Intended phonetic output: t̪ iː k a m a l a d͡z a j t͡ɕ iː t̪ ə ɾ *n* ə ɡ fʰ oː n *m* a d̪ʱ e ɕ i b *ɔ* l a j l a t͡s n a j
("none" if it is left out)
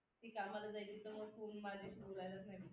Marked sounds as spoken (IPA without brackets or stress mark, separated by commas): m, m, o